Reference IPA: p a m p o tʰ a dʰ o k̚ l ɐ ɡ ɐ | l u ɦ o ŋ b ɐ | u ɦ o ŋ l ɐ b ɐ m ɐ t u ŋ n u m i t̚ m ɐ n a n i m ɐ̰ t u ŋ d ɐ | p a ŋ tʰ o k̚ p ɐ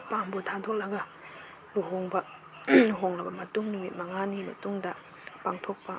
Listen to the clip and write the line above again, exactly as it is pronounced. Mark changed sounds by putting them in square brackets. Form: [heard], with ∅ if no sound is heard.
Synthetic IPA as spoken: p a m [b] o tʰ a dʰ o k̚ l ɐ ɡ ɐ | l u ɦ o ŋ b ɐ | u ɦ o ŋ l ɐ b ɐ m ɐ t u ŋ n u m i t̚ m ɐ [ŋ] a n i m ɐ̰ t u ŋ d ɐ | p a ŋ tʰ o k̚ p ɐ